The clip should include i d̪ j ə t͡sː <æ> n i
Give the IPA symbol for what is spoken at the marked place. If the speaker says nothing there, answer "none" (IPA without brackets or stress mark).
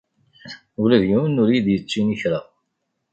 i